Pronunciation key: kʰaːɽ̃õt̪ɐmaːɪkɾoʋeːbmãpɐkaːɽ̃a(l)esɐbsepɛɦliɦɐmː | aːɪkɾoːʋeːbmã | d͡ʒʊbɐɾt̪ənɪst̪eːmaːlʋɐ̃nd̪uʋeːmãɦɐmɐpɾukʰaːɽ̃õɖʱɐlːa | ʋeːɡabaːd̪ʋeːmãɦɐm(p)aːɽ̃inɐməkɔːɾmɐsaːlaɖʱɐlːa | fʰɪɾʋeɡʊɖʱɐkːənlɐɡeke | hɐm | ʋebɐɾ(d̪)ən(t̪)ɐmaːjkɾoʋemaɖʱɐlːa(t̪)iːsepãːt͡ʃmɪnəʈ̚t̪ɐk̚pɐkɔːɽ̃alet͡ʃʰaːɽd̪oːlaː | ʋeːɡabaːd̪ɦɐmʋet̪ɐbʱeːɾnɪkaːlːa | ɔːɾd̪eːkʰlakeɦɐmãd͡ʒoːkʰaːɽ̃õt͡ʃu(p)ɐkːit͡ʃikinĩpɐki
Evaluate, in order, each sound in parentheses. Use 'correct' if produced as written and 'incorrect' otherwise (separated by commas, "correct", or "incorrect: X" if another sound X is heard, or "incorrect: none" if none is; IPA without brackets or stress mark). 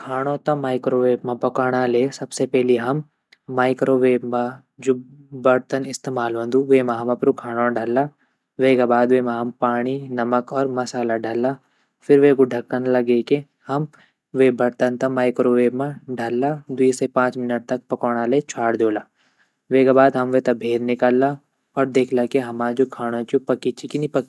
correct, correct, incorrect: t̪, correct, incorrect: d̪, correct